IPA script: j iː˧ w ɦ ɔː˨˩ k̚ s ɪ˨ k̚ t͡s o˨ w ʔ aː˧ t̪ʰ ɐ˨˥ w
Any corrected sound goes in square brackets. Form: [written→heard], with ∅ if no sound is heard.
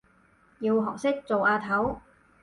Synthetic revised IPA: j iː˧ w ɦ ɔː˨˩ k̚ s [ɪ˨→ɪ˥] k̚ t͡s o˨ w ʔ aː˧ t̪ʰ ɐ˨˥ w